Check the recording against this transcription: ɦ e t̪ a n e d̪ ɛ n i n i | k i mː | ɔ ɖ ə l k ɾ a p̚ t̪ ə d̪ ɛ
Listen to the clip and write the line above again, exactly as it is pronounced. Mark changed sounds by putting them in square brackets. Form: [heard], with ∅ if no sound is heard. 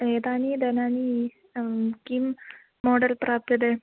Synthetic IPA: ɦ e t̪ a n [i] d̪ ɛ n [a] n i | k i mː | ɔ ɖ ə l [p] ɾ a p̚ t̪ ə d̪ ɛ